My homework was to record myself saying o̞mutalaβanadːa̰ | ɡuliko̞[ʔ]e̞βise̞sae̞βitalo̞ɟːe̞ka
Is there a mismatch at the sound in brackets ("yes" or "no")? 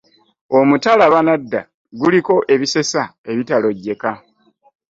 no